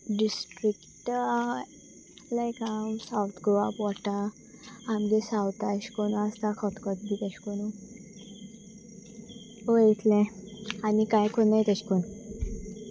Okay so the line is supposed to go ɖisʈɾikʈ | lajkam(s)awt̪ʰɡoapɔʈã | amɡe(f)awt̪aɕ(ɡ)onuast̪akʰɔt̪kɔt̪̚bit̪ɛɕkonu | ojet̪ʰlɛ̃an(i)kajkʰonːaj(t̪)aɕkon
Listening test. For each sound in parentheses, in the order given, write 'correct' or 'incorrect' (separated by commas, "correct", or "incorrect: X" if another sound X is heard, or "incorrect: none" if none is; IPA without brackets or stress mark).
correct, incorrect: s, incorrect: k, correct, correct